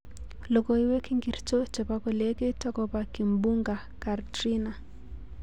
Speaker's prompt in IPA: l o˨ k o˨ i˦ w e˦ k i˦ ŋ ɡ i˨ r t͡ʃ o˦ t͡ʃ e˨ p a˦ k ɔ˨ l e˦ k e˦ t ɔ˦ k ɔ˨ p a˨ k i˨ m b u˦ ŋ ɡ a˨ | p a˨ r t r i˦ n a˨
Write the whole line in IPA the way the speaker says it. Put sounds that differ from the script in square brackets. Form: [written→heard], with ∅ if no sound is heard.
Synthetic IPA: l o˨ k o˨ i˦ w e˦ k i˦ ŋ ɡ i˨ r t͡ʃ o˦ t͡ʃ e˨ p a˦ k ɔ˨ l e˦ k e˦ t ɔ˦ k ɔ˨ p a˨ k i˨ m b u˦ ŋ ɡ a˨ | [p→k] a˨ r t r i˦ n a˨